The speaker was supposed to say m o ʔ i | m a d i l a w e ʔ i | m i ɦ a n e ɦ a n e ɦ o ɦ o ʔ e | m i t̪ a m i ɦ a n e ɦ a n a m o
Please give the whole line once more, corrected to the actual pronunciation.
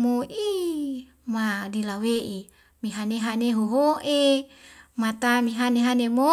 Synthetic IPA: m o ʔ i | m a d i l a w e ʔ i | m i ɦ a n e ɦ a n e ɦ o ɦ o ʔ e | m a t̪ a m i ɦ a n e ɦ a n e m o